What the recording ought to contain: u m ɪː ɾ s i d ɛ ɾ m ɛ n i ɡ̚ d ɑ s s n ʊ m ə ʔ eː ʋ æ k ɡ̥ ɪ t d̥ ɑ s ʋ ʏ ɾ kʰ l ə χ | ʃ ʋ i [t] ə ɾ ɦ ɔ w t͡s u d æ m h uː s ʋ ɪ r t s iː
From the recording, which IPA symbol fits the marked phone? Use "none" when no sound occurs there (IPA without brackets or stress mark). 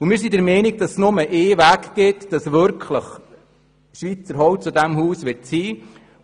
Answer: t͡s